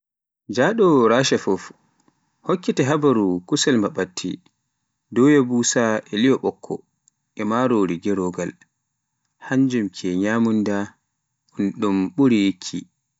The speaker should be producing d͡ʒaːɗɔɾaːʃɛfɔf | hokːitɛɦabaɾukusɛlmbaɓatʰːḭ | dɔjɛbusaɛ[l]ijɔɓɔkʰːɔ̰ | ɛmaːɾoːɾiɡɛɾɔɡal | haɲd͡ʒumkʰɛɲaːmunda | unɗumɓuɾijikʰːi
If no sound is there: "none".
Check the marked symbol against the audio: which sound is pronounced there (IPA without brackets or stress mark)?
l